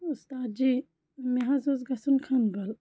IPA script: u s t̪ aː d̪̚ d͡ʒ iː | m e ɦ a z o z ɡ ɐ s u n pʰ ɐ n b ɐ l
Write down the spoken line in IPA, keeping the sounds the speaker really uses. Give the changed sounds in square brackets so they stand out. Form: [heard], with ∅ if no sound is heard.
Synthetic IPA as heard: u s t̪ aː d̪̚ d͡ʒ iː | m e ɦ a z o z ɡ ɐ s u n [kʰ] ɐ n b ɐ l

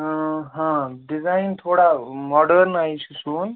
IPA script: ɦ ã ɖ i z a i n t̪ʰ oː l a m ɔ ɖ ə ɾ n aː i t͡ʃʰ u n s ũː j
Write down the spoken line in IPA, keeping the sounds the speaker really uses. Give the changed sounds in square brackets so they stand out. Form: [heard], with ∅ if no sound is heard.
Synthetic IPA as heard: ɦ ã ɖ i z a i n t̪ʰ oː [ɽ] a m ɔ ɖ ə ɾ n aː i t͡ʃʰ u [∅] s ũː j

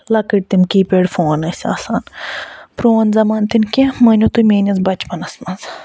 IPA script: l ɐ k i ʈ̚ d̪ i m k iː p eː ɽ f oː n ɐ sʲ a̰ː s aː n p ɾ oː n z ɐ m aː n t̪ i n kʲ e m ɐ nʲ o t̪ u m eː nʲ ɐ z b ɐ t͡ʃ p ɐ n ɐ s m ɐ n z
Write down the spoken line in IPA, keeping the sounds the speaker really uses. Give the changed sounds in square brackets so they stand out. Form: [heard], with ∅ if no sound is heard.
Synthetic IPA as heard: l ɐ k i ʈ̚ [t̪] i m k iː p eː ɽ f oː n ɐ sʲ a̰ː s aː n p ɾ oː n z ɐ m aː n t̪ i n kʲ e m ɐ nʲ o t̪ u m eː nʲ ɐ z b ɐ t͡ʃ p ɐ n ɐ s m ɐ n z

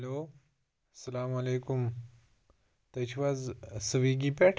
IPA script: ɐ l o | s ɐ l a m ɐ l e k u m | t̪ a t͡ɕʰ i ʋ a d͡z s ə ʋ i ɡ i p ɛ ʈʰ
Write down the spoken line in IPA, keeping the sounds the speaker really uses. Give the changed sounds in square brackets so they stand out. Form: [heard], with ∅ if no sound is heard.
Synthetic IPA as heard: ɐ l o | s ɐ l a m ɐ l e k u m | t̪ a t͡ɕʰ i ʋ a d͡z s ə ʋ i ɡ i p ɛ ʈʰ

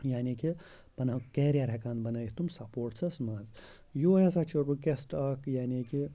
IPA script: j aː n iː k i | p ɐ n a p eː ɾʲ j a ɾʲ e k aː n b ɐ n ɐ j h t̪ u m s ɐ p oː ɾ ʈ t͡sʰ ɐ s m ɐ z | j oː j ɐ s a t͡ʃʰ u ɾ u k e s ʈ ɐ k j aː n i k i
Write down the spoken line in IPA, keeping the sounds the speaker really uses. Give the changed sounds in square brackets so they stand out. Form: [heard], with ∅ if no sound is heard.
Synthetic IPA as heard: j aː n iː k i | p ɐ n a [k] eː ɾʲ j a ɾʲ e k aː n b ɐ n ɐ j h t̪ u m s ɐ p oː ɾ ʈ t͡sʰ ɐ s m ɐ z | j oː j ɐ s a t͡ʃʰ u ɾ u k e s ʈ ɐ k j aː n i k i

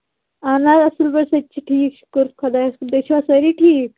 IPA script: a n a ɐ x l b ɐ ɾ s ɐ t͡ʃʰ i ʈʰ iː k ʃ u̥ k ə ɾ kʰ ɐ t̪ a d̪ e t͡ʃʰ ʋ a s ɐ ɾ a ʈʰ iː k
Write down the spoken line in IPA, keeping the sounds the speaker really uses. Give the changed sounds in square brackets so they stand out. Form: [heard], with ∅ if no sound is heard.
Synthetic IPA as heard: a n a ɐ [s] l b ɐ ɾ s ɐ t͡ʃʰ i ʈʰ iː k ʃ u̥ k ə ɾ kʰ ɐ [d̪] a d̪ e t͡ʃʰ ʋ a s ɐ ɾ [i] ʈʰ iː k

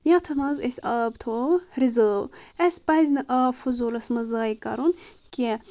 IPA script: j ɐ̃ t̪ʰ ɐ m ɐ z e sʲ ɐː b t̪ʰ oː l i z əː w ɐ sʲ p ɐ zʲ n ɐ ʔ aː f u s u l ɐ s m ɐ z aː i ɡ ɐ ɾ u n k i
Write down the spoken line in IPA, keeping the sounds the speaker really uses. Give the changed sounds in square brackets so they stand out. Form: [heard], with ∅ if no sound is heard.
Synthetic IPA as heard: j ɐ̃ t̪ʰ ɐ m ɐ z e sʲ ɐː b t̪ʰ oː [ɾ] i z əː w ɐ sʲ p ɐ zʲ n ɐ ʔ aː f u [z] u l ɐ s m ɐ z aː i [k] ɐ ɾ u n k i

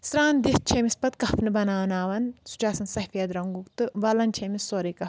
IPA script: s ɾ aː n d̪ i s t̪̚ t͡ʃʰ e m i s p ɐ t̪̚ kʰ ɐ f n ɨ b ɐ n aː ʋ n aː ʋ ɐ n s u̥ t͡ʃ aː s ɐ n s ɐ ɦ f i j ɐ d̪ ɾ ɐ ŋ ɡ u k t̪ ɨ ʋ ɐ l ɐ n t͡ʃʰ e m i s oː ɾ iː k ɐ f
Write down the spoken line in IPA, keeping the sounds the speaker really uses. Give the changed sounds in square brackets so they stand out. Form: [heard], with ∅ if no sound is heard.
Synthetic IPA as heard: s ɾ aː n d̪ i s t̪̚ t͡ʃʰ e m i s p ɐ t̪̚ [k] ɐ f n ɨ b ɐ n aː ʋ n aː ʋ ɐ n s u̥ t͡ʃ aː s ɐ n s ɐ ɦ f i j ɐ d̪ ɾ ɐ ŋ ɡ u k t̪ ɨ ʋ ɐ l ɐ n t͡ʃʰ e m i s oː ɾ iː k ɐ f

